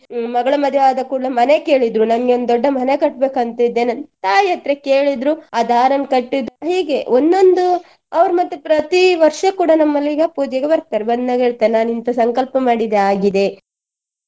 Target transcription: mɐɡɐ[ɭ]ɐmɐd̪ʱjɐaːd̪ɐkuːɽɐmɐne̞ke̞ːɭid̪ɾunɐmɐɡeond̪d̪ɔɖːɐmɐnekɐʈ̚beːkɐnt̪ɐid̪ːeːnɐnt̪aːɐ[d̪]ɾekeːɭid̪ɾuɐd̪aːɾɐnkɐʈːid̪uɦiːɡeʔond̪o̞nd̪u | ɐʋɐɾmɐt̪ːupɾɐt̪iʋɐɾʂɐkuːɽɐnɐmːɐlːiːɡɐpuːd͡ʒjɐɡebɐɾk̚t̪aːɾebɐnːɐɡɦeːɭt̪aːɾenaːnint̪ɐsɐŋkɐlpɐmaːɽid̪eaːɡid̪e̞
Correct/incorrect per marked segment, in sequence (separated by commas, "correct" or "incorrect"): correct, incorrect